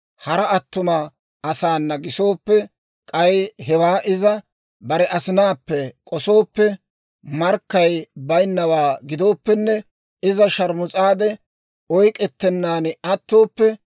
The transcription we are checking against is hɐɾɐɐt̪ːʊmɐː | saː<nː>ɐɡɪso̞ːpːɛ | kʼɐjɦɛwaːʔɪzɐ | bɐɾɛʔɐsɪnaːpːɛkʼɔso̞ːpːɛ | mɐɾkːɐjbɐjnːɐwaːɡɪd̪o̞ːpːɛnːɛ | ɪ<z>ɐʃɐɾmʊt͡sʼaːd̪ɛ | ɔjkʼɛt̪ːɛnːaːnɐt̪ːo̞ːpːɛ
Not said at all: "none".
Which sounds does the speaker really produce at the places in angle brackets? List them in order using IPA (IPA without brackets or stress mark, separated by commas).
nː, z